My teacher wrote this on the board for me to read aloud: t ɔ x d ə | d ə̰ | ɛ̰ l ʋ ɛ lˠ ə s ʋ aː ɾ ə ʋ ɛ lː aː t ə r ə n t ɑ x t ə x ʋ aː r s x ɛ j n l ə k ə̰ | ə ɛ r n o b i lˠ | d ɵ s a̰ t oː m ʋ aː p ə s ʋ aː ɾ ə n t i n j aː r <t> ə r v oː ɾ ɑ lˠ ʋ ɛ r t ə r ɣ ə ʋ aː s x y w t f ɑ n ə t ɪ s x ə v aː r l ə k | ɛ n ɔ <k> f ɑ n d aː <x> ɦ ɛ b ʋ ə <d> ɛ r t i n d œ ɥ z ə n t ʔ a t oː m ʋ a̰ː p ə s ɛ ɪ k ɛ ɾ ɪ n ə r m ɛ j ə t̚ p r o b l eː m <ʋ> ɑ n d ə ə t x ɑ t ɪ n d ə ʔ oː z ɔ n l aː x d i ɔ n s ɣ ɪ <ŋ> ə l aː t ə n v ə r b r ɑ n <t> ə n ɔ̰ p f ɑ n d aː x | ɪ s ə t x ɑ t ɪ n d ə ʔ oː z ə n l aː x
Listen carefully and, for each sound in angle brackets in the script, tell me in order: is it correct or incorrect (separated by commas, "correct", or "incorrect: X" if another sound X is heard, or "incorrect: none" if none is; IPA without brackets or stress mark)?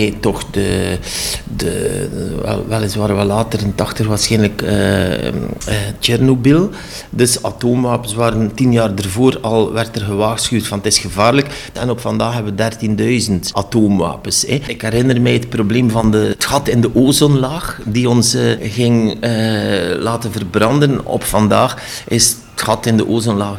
incorrect: d, incorrect: p, correct, correct, incorrect: v, correct, incorrect: d